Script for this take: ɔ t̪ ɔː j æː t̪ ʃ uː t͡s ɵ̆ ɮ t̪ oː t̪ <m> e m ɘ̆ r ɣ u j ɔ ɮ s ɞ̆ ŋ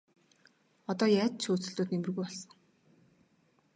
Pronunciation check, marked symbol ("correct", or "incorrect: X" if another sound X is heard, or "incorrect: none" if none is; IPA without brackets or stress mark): incorrect: n